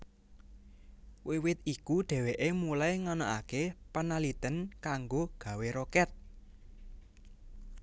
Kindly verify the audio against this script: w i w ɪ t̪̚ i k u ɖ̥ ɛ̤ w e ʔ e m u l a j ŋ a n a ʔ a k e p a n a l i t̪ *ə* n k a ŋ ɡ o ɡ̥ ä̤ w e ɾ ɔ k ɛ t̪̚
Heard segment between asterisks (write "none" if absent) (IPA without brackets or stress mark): ə